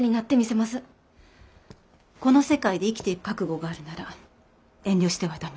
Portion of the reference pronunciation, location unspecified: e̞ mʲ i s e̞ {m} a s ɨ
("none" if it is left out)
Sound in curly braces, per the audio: m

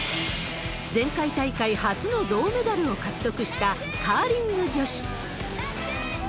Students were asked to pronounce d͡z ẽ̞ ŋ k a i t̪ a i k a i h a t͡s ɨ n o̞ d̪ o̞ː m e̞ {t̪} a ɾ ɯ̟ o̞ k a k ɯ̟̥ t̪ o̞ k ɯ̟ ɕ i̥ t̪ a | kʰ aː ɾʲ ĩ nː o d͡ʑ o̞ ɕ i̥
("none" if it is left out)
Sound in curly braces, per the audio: d̪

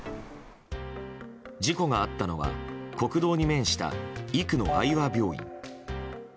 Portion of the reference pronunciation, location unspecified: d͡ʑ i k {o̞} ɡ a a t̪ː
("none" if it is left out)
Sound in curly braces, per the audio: o̞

